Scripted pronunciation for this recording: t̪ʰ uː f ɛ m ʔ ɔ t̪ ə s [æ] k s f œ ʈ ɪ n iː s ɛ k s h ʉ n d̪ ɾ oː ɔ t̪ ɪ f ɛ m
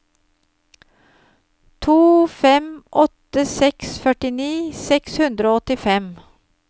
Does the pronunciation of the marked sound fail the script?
yes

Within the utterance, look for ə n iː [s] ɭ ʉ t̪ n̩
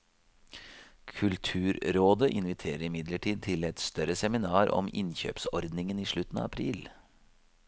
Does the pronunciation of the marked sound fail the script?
yes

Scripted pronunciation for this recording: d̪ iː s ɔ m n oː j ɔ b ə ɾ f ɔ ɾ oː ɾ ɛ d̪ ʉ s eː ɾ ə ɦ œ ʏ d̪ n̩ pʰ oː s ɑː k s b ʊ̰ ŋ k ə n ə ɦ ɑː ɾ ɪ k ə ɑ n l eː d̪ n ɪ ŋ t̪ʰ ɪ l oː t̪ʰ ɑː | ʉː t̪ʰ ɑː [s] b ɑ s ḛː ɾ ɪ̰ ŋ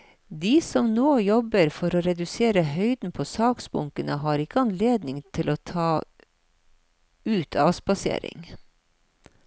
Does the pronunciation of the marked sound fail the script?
no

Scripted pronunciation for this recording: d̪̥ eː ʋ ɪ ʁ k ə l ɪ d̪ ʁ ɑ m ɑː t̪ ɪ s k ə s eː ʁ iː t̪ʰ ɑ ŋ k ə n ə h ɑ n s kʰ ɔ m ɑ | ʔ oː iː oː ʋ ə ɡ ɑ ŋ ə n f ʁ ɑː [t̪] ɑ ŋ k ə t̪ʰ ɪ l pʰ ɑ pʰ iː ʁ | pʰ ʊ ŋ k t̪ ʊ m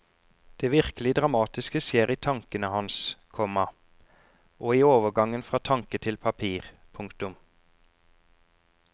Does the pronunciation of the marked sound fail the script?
yes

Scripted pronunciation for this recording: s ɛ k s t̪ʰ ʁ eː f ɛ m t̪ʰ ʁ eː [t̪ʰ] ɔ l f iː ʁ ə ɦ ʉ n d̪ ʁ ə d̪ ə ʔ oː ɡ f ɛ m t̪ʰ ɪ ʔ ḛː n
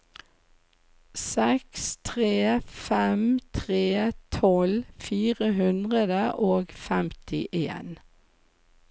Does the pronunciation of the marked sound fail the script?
no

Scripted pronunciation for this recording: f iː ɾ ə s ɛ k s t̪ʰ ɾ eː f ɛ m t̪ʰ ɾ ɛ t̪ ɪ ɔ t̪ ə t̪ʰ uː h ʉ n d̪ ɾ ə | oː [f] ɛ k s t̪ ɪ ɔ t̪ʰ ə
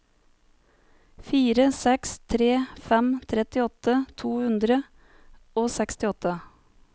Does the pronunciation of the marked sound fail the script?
yes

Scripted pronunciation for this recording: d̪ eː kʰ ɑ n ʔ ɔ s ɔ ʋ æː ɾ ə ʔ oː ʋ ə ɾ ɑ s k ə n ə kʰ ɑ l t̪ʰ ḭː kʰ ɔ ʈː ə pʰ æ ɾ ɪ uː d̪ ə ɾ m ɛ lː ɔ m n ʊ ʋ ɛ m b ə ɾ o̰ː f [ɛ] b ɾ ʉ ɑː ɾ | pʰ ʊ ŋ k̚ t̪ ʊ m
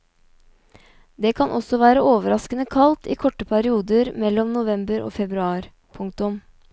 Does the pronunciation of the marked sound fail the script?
no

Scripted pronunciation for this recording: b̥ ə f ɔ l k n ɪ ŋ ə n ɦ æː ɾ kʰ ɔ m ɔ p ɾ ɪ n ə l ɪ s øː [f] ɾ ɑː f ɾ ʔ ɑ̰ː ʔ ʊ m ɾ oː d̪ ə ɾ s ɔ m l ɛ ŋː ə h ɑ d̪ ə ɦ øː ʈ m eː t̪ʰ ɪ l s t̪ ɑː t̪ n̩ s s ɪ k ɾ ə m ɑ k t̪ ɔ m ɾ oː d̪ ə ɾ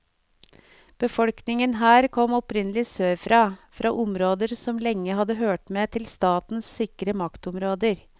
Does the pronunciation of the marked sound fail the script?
no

